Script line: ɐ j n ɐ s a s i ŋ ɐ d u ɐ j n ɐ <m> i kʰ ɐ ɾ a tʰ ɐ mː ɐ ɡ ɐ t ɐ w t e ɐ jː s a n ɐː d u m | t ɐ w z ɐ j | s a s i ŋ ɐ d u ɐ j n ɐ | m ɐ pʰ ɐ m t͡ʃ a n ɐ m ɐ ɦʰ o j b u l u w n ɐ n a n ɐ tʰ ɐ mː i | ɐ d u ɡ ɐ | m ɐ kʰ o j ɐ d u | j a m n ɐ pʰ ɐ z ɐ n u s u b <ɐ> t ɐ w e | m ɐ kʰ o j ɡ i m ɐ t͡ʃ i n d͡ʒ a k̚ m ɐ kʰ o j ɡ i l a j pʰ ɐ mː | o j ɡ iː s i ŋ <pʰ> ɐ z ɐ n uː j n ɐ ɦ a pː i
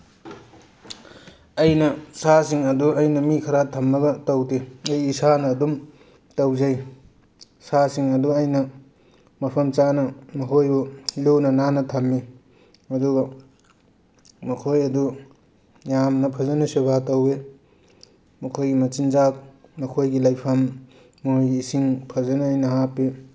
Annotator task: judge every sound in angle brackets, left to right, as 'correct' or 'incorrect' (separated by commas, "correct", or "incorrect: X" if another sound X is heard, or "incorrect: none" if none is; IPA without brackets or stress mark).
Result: correct, incorrect: a, correct